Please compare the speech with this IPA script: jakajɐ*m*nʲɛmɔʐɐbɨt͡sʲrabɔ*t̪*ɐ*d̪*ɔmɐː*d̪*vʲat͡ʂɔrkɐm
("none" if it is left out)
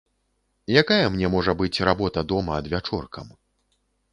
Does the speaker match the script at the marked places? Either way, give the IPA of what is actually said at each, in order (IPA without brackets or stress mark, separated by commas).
m, t̪, d̪, d̪